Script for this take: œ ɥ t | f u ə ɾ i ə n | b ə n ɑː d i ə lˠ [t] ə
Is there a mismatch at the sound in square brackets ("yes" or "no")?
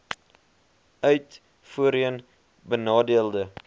yes